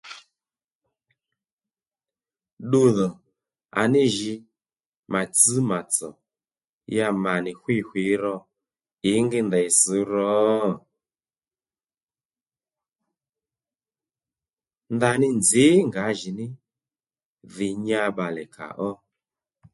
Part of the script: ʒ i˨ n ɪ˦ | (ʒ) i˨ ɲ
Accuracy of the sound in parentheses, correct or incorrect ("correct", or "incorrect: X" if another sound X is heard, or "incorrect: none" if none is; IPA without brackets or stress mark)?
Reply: incorrect: ð